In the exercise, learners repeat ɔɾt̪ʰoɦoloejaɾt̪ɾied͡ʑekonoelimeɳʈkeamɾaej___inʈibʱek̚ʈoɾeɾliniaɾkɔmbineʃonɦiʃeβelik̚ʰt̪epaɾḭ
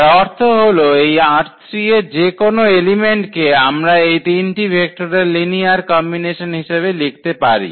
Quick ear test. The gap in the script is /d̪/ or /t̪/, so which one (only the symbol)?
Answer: t̪